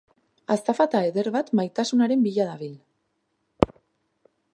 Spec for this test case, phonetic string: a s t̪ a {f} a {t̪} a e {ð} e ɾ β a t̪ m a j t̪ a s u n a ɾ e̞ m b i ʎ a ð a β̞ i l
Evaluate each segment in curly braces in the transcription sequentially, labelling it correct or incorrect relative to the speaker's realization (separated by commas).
correct, correct, correct